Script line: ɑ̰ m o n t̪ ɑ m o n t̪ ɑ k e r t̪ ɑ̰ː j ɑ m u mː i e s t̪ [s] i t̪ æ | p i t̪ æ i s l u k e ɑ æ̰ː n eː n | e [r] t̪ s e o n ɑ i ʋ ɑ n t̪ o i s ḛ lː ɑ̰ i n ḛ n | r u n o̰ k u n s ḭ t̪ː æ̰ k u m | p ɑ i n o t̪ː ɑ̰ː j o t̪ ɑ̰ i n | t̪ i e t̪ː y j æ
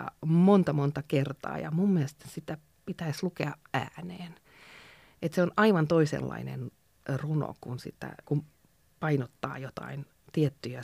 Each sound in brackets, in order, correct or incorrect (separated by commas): correct, incorrect